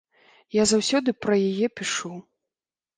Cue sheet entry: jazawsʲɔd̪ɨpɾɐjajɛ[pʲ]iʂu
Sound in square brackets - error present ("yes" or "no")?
no